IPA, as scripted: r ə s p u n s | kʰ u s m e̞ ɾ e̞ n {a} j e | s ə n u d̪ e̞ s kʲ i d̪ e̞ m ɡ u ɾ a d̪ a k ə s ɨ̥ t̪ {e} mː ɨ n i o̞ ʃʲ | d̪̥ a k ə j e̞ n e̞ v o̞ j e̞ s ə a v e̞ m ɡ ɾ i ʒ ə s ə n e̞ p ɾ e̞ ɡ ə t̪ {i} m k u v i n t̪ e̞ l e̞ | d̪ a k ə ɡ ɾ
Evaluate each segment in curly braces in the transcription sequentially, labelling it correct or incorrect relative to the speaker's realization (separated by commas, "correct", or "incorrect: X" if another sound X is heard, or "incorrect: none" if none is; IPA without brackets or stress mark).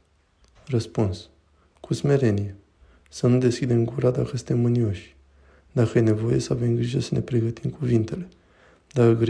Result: incorrect: i, correct, correct